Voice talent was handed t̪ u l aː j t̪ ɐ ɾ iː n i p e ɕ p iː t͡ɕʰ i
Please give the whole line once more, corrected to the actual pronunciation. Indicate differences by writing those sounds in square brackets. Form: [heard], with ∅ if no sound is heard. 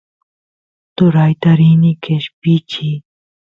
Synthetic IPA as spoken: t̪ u [ɾ] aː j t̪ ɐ ɾ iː n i [k] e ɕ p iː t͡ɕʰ i